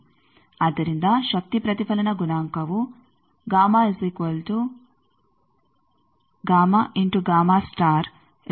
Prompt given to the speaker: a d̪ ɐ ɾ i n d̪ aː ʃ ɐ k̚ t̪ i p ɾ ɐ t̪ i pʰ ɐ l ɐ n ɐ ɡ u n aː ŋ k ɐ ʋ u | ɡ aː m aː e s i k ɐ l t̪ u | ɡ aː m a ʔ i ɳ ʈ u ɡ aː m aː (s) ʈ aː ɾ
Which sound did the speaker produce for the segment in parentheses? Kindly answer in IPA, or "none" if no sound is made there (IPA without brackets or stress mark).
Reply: s